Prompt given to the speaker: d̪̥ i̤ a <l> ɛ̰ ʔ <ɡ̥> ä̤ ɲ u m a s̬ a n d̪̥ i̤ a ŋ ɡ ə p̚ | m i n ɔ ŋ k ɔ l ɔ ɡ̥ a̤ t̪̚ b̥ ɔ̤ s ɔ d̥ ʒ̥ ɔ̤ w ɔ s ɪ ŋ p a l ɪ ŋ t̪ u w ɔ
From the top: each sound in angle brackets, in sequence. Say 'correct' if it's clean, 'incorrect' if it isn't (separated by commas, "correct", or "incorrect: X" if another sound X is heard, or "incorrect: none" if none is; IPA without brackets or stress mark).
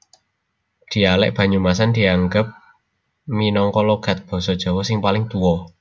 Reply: correct, incorrect: b̥